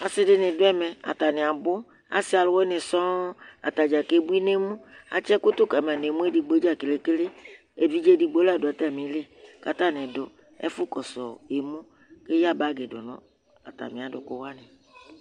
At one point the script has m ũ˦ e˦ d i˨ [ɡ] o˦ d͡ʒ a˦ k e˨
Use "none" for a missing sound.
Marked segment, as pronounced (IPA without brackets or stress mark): ɡ͡b